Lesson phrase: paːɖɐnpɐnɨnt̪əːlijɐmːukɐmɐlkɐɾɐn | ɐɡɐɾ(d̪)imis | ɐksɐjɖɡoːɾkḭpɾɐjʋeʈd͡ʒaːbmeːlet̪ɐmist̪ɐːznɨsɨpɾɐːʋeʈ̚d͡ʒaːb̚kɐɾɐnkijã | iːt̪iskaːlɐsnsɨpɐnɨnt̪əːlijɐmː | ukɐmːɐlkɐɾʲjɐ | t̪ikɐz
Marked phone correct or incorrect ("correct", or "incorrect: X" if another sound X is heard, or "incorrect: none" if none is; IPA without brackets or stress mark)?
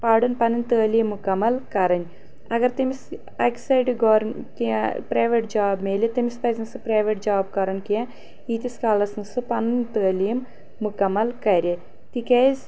incorrect: t̪